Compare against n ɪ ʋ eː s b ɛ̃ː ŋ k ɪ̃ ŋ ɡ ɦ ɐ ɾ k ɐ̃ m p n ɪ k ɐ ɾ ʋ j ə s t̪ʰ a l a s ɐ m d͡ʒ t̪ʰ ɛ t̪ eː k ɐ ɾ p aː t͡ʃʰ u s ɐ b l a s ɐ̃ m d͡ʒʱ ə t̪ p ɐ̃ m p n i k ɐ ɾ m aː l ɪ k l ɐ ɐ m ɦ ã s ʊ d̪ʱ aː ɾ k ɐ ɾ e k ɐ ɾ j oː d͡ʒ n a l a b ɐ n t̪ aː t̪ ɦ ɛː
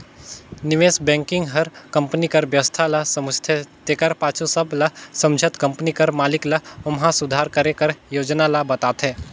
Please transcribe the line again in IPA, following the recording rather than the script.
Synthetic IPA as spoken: n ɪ ʋ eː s b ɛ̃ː ŋ k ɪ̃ ŋ ɡ ɦ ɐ ɾ k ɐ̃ m p n i k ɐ ɾ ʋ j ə s t̪ʰ a l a s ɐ m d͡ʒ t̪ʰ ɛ t̪ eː k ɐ ɾ p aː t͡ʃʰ u s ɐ b l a s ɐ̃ m d͡ʒʱ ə t̪ k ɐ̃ m p n i k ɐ ɾ m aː l ɪ k l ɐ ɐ m ɦ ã s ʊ d̪ʱ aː ɾ k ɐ ɾ e k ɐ ɾ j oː d͡ʒ n a l a b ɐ t̪ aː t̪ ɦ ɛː